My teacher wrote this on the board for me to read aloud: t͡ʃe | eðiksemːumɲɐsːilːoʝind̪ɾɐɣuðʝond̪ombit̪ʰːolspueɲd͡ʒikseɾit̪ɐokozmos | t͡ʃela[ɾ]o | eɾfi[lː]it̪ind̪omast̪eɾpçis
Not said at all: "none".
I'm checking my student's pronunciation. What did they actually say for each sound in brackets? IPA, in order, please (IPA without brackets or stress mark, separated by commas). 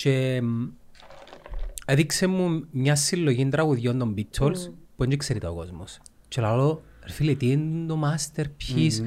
l, l